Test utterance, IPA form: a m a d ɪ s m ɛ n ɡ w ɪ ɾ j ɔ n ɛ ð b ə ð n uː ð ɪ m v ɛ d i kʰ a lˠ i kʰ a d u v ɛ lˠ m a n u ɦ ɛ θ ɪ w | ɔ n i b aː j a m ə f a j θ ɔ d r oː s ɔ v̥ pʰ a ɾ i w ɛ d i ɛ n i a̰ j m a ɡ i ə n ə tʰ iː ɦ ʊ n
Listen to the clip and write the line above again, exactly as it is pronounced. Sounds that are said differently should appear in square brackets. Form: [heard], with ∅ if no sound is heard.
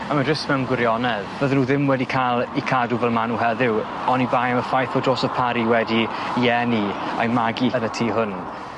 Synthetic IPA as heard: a m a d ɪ s m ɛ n ɡ w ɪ ɾ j ɔ n ɛ ð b ə ð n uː ð ɪ m [w] ɛ d i kʰ a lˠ i kʰ a d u v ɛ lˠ m a n u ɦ ɛ [ð] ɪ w | ɔ n i b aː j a m ə f a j θ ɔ d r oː s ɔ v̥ pʰ a ɾ i w ɛ d i ɛ n i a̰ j m a ɡ i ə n ə tʰ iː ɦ ʊ n